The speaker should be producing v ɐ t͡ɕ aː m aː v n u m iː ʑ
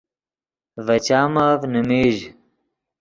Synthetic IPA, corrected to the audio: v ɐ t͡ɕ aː m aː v n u m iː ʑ